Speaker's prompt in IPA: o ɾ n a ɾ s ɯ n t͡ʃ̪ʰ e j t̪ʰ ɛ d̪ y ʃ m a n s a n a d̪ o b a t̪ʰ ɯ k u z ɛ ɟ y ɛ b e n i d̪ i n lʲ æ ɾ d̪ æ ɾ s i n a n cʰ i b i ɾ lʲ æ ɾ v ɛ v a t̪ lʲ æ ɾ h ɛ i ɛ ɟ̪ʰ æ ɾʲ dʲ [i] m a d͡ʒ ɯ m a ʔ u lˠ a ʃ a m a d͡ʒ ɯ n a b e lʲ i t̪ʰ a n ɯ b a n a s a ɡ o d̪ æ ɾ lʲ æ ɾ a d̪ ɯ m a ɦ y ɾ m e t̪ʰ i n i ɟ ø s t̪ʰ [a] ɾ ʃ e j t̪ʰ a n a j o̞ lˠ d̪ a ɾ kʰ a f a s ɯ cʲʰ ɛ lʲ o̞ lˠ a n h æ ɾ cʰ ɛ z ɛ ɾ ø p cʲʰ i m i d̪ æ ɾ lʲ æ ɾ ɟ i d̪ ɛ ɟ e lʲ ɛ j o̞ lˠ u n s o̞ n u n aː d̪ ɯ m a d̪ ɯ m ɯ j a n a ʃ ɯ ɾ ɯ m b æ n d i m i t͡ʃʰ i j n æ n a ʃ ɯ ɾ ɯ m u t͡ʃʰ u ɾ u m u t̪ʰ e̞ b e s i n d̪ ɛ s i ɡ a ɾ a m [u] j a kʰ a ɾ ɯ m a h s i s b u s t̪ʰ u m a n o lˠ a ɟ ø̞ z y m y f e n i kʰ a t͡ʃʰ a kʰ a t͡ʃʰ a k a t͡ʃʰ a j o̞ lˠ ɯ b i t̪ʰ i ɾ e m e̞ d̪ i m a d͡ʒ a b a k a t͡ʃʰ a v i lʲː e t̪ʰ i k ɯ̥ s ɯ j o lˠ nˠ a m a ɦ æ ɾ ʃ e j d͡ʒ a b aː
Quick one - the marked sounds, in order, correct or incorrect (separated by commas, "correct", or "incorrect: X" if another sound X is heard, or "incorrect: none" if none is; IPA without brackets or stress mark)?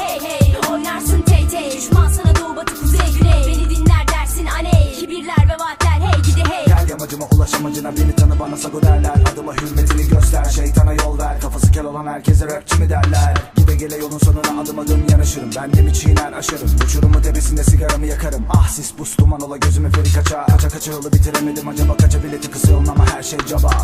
incorrect: a, incorrect: æ, incorrect: ɯ